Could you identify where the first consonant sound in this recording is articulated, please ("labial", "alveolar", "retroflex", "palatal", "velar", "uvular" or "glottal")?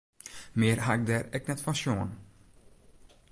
labial